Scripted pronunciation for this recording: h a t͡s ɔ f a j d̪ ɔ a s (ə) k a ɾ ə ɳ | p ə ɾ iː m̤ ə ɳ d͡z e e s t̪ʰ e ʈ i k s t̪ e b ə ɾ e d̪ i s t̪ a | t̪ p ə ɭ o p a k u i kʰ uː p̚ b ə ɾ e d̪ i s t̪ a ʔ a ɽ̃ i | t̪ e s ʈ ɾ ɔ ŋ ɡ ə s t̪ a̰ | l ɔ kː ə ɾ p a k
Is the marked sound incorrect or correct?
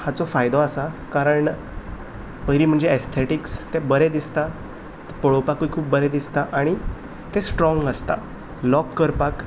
incorrect